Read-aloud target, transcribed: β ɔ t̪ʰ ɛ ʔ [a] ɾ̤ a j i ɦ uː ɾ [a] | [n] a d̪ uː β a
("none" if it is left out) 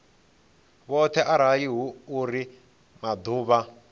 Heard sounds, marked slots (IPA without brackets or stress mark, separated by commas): a, i, m